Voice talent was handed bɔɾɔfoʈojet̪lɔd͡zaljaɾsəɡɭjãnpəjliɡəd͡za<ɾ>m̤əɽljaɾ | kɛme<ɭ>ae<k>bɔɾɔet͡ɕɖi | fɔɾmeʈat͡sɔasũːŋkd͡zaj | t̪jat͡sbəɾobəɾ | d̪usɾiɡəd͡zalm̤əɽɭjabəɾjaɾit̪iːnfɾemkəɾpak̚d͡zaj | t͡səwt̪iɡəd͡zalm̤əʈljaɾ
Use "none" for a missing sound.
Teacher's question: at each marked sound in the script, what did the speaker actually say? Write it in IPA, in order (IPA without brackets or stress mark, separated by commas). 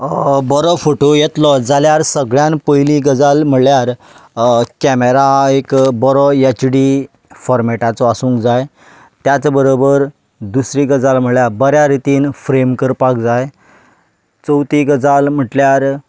l, ɾ, k